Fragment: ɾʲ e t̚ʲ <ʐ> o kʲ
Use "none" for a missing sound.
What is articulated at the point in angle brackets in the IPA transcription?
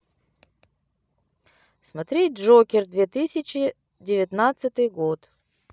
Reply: ʐ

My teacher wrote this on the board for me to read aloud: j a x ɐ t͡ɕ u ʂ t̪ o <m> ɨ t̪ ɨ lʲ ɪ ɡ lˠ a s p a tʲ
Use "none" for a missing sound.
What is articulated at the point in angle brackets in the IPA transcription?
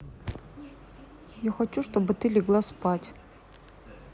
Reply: b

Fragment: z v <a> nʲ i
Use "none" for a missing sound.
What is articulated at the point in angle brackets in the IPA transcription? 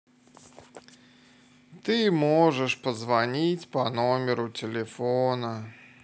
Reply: a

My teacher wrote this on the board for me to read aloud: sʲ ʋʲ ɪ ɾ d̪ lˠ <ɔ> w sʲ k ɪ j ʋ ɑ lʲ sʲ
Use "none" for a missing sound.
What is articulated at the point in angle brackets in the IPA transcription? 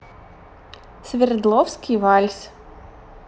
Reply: ɔ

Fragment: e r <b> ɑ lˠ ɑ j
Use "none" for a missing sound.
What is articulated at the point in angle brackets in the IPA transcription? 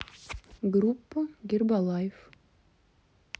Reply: b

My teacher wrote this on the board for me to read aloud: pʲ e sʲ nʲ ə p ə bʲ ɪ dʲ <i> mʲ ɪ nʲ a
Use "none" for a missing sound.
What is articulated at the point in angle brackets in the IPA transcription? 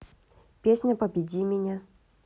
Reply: i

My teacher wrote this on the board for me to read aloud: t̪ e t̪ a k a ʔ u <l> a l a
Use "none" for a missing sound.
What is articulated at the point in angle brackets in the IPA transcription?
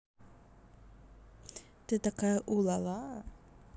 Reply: l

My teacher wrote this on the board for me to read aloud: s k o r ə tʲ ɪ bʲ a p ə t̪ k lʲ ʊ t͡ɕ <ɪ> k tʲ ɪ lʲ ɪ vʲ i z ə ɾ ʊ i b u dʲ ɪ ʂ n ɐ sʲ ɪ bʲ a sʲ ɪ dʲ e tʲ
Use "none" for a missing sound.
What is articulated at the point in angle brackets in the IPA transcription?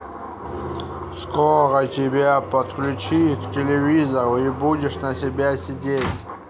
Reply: i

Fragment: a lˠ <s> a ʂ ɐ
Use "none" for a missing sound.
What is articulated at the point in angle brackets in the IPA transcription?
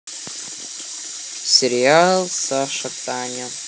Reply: s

